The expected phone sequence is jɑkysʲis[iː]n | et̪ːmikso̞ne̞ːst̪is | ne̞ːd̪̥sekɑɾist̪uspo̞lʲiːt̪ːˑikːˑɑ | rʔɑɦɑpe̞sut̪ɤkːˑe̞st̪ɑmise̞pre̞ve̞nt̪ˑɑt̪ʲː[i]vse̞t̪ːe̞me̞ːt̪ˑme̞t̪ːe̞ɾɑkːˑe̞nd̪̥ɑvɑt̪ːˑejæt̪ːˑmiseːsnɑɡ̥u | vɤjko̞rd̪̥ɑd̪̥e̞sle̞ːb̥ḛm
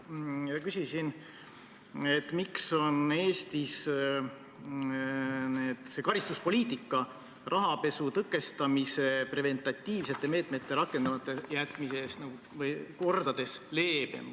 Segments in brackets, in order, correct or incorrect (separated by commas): incorrect, incorrect